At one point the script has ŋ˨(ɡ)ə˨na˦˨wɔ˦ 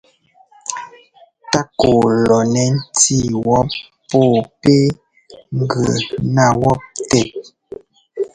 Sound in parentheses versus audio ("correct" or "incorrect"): correct